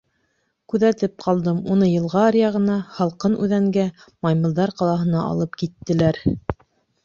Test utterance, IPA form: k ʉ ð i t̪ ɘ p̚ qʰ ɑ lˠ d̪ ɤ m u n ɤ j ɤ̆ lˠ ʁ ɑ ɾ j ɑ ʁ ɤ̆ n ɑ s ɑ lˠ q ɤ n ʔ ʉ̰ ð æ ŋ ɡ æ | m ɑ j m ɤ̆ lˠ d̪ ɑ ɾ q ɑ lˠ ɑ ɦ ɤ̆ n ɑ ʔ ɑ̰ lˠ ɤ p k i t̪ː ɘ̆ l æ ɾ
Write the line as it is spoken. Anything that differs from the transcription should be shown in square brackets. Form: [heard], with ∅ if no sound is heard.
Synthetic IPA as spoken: k ʉ ð [æ] t̪ ɘ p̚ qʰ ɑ lˠ d̪ ɤ m u n ɤ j ɤ̆ lˠ ʁ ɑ ɾ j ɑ ʁ ɤ̆ n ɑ [h] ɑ lˠ q ɤ n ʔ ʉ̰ ð æ ŋ ɡ æ | m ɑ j m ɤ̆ lˠ d̪ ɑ ɾ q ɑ lˠ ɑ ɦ ɤ̆ n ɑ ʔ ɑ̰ lˠ ɤ p k i t̪ː ɘ̆ l æ ɾ